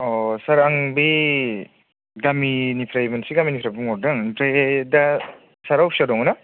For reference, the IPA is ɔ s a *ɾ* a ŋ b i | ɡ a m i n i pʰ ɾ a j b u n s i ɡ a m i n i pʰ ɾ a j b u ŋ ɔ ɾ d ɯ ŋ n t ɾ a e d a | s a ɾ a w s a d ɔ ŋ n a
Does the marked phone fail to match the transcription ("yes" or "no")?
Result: no